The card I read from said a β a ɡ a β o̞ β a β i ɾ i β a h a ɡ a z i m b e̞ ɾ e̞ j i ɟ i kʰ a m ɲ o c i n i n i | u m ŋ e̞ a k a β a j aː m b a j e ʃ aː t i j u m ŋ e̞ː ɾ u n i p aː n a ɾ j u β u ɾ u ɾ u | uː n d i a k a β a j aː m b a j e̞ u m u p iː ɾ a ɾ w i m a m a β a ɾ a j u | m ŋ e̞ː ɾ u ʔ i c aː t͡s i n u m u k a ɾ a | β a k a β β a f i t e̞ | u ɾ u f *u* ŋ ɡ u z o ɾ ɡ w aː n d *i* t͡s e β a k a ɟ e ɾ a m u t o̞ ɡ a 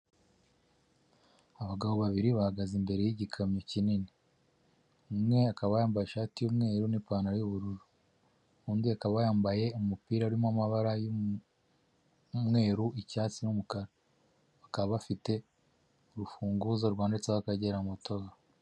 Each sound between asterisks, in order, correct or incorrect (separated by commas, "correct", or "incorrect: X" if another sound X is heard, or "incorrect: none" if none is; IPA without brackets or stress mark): incorrect: uː, incorrect: e